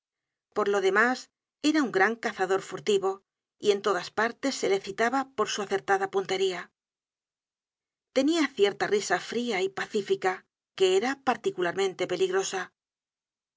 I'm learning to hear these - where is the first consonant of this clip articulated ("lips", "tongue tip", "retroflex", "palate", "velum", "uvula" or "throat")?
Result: lips